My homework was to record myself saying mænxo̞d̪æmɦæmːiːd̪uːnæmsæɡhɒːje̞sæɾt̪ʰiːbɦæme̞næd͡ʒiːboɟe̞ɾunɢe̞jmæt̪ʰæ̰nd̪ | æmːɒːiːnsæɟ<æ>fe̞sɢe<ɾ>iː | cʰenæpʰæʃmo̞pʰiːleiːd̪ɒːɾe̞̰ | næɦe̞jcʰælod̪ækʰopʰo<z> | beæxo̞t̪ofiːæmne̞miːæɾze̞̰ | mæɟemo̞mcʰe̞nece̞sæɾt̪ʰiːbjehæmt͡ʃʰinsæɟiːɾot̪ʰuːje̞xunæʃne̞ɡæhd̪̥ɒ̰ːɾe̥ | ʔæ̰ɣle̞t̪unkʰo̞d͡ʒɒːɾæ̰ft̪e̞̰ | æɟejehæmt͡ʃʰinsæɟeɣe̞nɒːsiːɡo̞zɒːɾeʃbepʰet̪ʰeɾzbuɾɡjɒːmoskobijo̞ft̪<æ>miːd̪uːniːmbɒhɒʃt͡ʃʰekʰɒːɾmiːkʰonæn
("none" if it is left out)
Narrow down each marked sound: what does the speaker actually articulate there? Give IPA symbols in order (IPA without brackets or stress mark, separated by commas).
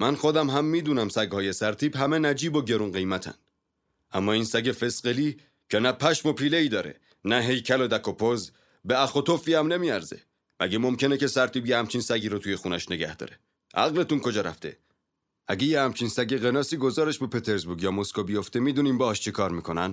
e, l, z, e